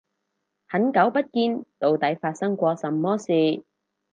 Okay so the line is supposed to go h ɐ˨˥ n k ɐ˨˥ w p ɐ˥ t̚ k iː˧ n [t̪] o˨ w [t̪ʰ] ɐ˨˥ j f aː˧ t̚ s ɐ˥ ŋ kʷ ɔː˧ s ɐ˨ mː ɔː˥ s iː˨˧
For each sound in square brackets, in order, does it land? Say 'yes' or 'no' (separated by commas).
yes, no